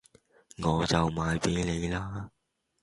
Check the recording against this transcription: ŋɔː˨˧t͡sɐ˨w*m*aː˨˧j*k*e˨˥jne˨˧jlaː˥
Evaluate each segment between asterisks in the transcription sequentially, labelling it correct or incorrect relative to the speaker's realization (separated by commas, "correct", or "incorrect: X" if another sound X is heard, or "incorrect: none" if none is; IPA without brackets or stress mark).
correct, incorrect: p